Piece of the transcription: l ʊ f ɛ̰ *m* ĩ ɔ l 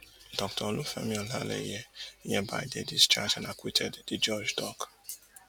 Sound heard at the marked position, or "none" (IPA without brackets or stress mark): m